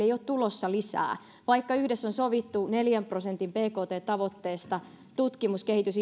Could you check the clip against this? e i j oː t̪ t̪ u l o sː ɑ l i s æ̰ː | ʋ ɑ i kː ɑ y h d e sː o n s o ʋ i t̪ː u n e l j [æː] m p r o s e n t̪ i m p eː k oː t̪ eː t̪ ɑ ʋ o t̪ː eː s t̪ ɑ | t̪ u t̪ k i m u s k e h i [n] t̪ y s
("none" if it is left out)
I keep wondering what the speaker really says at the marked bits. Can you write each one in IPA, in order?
æ, none

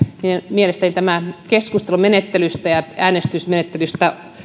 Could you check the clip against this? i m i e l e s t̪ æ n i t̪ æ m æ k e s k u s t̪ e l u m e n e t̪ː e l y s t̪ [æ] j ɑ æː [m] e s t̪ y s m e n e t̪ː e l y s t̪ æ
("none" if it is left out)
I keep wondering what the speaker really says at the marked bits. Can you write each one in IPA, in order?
æ, n

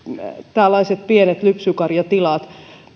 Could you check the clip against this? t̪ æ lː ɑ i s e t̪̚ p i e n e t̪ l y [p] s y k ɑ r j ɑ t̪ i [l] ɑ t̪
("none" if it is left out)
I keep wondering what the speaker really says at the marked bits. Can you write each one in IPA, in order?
p, l

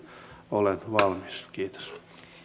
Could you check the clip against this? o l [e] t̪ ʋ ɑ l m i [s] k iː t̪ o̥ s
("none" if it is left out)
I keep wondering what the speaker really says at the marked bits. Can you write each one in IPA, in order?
e, s

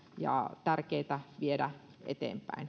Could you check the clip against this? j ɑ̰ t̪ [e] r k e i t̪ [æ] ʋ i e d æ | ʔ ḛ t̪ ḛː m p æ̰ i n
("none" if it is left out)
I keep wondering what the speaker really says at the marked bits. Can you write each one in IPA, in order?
æ, æ

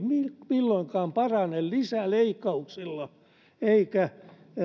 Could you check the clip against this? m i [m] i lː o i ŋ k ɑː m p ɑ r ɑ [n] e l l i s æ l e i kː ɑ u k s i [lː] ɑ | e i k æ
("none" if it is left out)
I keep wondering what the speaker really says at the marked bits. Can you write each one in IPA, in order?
m, n, lː

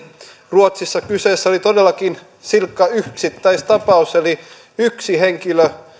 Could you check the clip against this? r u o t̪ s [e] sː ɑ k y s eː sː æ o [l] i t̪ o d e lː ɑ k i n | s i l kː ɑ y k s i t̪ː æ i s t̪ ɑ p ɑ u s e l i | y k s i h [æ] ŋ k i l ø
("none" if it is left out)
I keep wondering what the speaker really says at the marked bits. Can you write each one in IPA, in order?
i, l, e

